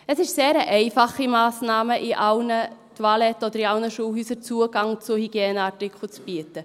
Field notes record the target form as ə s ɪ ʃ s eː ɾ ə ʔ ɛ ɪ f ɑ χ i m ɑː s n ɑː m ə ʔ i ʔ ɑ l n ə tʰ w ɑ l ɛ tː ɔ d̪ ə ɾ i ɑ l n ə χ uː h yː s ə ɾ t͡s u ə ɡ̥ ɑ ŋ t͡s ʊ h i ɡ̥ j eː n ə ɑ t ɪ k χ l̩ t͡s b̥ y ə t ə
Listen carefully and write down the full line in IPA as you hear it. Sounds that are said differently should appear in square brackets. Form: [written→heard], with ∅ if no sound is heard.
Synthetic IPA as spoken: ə s ɪ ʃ s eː ɾ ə ʔ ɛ ɪ f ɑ χ i m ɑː s n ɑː m ə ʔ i ʔ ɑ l n ə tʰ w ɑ l ɛ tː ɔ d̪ ə ɾ i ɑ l n ə [χ→ʃ] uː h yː s ə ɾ t͡s u ə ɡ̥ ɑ ŋ t͡s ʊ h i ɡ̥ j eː n ə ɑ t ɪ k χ l̩ t͡s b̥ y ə t ə